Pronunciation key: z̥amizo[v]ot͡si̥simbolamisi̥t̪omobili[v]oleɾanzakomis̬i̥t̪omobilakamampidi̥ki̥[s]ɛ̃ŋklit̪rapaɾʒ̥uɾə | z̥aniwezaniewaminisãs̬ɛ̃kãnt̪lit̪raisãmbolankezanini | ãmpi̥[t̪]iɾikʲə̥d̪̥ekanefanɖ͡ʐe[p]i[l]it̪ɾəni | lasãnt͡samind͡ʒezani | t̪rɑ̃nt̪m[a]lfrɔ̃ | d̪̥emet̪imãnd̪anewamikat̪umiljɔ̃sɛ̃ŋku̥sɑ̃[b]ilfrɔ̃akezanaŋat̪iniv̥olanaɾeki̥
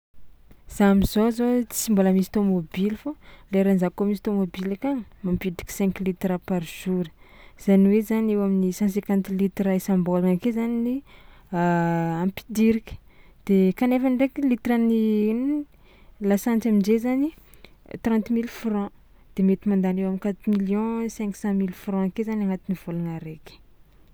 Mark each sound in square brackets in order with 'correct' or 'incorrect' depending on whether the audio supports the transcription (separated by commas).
incorrect, incorrect, correct, incorrect, incorrect, correct, incorrect, incorrect